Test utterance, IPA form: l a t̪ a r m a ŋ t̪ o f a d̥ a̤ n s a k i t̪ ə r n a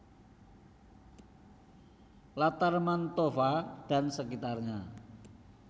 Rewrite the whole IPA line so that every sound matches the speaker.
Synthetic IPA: l a t̪ a r m a n t̪ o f a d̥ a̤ n s ə k i t̪ a r ɲ a

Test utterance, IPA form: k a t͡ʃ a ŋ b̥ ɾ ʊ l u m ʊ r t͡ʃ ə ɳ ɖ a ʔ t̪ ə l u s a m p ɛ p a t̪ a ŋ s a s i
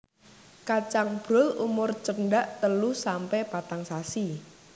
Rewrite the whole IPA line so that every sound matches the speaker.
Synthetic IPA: k a t͡ʃ a ŋ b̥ ɾ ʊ l u m ʊ r t͡ʃ ə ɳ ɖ a ʔ t̪ ə l u s a m p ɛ p a t̪ a ŋ s a s i

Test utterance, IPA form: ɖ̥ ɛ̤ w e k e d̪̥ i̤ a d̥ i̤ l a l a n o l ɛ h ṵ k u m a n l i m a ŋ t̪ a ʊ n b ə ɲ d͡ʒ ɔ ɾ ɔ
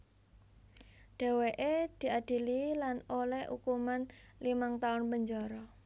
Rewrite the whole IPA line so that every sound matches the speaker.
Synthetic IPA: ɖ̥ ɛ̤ w e ʔ e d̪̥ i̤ a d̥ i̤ l i l a n o l ɛ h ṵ k u m a n l i m a ŋ t̪ a ʊ n b ə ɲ d͡ʒ ɔ ɾ ɔ

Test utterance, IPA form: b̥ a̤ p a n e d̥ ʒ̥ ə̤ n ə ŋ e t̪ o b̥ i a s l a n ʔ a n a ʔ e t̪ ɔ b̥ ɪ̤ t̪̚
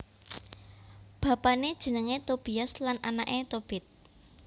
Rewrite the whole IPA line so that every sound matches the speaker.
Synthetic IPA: b̥ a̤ p a n e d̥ ʒ̥ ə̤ n ə ŋ e t̪ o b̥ i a s l a n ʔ a n a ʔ e t̪ o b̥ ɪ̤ t̪̚

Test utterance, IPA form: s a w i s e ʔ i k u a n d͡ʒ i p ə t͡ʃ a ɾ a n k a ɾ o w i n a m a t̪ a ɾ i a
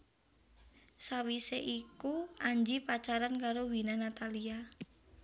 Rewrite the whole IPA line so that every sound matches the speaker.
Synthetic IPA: s a w i s e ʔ i k u a ɲ d͡ʒ i p a t͡ʃ a ɾ a n k a ɾ o w i n a n a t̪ a l i a

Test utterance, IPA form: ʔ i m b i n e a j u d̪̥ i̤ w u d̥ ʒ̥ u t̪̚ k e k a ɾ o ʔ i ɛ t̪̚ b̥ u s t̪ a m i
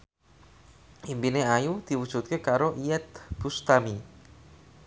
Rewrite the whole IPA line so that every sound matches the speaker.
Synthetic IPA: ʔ i m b i n e a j u d̪̥ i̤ w u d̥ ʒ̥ u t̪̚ k e k a ɾ o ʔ i ɛ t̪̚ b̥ u s t̪ a m i

